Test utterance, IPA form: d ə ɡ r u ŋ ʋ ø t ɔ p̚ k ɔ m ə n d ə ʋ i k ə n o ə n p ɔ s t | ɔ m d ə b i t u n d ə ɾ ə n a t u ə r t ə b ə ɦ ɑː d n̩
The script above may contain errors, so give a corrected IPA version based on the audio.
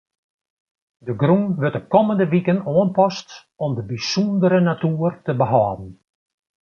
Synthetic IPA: d ə ɡ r u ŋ ʋ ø t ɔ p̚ k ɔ m ə n d ə ʋ i k ə n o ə n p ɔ s t | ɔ m d ə b i s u n d ə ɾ ə n a t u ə r t ə b ə ɦ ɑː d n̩